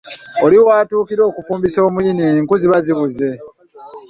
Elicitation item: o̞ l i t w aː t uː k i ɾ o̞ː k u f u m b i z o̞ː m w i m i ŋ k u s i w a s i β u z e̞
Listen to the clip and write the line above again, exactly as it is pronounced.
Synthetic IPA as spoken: o̞ l i w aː t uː k i ɾ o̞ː k u f uː m b i s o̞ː m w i n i ŋ k u z i β a z i β u z e̞